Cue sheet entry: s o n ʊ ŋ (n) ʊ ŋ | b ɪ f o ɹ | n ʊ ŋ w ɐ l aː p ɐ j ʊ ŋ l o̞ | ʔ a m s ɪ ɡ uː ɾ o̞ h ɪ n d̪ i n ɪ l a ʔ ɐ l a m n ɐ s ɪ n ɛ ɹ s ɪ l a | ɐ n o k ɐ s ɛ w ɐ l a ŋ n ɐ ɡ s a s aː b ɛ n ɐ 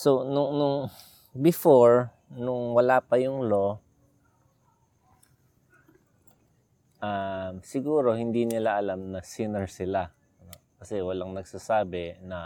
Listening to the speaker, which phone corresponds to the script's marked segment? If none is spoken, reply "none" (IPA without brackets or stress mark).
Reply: n